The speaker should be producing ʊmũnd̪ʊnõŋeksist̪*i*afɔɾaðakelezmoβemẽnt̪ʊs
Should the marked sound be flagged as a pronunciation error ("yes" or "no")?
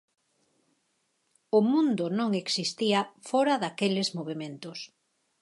no